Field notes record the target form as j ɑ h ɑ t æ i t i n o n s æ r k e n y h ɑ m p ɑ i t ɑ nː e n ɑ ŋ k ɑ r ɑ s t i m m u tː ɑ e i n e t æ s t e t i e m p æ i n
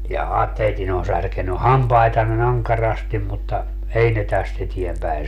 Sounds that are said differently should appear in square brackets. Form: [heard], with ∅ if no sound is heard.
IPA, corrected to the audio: j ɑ h ɑ t [e] i t i n o n s æ r k e n y h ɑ m p ɑ i t ɑ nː e n ɑ ŋ k ɑ r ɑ s t i m m u tː ɑ e i n e t æ s t e t i e m p æ i n